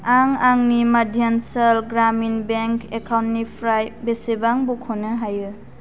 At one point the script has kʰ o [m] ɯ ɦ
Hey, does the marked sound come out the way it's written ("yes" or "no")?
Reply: no